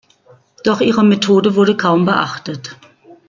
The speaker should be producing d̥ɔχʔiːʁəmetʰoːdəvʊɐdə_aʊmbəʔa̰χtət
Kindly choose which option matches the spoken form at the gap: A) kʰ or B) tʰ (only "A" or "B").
A